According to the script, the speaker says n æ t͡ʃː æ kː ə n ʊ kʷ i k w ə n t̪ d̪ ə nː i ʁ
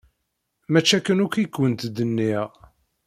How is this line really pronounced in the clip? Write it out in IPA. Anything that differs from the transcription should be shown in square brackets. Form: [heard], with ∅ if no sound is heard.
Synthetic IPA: [m] æ t͡ʃː æ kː ə n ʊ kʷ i k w ə n t̪ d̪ ə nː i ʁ